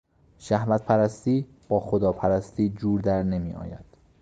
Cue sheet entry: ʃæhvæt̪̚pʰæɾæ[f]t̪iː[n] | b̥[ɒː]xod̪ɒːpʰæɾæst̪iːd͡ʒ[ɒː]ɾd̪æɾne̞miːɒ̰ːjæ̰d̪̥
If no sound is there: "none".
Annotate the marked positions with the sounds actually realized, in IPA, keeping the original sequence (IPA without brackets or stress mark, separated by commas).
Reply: s, none, ɒː, uː